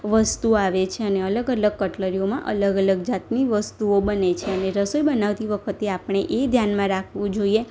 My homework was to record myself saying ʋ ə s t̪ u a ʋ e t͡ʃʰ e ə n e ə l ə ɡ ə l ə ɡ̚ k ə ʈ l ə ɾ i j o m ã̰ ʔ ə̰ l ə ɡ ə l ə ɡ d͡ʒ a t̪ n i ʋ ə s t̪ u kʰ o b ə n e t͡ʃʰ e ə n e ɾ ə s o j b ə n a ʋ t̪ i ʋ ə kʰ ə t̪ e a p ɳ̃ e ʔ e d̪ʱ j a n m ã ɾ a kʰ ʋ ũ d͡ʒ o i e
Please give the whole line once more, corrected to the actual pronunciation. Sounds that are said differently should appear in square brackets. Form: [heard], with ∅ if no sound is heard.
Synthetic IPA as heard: ʋ ə s t̪ u a ʋ e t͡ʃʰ e ə n e ə l ə ɡ ə l ə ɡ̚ k ə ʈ l ə ɾ i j o m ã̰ ʔ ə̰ l ə ɡ ə l ə ɡ d͡ʒ a t̪ n i ʋ ə s t̪ u [∅] o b ə n e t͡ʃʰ e ə n e ɾ ə s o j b ə n a ʋ t̪ i ʋ ə kʰ ə t̪ e a p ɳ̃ e ʔ e d̪ʱ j a n m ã ɾ a kʰ ʋ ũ d͡ʒ o i e